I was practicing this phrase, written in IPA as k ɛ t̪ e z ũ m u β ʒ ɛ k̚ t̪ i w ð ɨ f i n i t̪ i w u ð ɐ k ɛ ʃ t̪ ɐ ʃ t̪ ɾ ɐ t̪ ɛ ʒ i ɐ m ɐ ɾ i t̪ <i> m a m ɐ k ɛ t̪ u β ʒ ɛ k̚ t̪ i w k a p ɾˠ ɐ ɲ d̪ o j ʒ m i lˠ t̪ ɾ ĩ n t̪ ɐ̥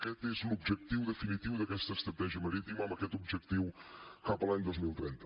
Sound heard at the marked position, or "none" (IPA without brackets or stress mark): i